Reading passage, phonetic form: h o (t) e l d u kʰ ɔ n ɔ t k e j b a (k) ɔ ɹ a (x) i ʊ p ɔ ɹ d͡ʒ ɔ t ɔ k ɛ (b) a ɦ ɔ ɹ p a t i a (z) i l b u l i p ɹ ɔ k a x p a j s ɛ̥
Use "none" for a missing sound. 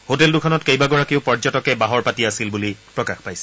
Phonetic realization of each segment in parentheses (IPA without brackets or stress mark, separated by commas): t, ɡ, k, b, s